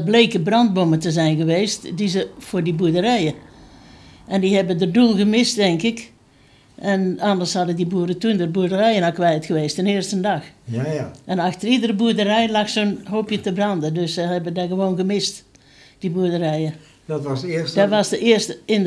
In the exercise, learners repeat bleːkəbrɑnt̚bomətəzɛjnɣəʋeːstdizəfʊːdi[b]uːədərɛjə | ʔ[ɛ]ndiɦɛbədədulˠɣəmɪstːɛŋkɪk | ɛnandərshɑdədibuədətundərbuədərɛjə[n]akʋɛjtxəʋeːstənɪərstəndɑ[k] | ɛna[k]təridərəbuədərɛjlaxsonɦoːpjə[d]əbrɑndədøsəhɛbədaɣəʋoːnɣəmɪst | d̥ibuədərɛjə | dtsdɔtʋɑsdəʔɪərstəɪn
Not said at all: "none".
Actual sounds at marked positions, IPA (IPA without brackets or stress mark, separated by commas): b, ɛ, n, x, x, t